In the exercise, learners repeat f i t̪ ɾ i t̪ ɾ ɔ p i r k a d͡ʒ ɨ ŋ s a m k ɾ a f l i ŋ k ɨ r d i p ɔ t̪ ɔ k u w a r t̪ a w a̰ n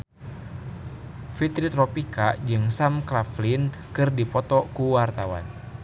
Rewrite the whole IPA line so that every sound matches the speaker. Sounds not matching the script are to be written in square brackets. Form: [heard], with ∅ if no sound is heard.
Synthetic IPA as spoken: f i t̪ ɾ i t̪ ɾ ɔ p i [∅] k a d͡ʒ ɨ ŋ s a m k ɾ a f l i [n] k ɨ r d i p ɔ t̪ ɔ k u w a r t̪ a w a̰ n